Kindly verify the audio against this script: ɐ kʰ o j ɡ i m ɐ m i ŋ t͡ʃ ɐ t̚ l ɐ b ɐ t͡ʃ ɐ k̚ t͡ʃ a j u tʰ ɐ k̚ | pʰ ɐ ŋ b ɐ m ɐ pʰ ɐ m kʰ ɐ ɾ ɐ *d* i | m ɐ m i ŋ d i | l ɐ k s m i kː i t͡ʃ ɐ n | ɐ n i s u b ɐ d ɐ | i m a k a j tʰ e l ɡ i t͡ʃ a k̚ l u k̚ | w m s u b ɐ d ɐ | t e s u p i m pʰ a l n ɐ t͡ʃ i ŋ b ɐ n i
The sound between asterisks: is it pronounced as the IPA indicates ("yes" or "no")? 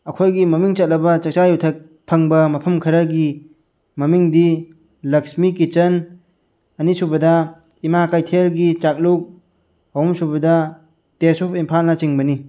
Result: no